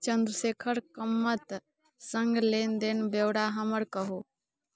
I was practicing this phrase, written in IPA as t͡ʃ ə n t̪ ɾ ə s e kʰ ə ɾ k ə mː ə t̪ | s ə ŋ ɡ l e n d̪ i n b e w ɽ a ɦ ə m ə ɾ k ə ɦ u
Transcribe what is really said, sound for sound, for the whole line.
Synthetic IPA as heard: t͡ʃ ə n d̪ ɾ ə s e kʰ ə ɾ k ə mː ə t̪ | s ə ŋ ɡ l e n d̪ e n b e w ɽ a ɦ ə m ə ɾ k ə ɦ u